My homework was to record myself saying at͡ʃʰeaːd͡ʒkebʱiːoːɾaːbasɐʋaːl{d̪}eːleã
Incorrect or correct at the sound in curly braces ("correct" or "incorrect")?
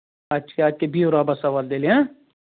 correct